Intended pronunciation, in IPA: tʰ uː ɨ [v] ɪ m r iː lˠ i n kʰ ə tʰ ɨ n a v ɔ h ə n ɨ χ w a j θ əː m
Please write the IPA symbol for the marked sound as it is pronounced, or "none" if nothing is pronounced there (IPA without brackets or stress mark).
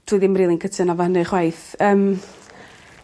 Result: ð